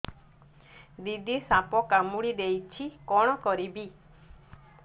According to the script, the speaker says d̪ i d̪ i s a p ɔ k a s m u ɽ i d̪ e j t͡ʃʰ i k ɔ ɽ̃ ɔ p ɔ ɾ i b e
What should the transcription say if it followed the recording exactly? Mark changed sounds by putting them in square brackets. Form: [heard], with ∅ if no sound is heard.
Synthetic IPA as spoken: d̪ i d̪ i s a p ɔ k a [∅] m u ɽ i d̪ e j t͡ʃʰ i k ɔ ɽ̃ ɔ [k] ɔ ɾ i b [i]